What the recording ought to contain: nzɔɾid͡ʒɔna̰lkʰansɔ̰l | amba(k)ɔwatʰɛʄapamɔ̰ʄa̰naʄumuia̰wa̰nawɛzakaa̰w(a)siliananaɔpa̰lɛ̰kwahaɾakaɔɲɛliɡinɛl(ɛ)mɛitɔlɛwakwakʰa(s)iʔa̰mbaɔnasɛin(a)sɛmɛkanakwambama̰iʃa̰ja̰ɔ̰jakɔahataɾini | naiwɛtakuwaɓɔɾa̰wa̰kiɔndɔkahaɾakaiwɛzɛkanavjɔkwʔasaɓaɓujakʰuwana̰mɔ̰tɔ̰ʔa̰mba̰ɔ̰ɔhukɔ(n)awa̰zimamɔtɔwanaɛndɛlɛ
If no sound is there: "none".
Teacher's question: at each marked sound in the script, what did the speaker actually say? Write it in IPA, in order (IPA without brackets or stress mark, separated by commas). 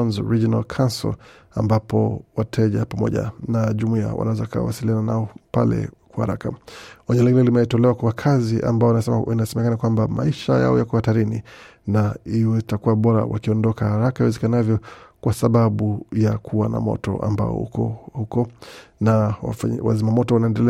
p, a, i, z, a, n